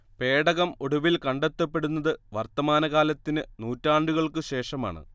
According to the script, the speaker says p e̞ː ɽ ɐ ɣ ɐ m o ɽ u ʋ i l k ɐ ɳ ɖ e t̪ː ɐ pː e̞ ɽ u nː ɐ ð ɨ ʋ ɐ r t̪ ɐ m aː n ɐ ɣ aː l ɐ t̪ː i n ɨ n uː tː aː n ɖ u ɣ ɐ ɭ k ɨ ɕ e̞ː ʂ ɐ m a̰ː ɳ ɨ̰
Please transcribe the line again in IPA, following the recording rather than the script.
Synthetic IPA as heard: p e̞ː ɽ ɐ ɣ ɐ m o ɽ u ʋ i l k ɐ ɳ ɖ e t̪ː ɐ pː e̞ ɽ u nː ɐ ð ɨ ʋ ɐ r t̪ ɐ m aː n ɐ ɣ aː l ɐ t̪ː i n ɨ n uː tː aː ɳ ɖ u ɣ ɐ ɭ k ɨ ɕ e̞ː ʂ ɐ m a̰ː ɳ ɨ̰